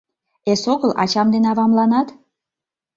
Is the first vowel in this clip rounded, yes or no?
no